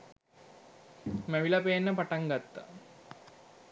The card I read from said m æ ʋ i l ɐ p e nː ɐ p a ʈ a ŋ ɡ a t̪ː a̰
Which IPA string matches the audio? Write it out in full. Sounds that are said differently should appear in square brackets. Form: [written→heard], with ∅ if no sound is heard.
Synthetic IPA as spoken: m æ ʋ i l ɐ p e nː [ɐ→ə] p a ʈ a ŋ ɡ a t̪ː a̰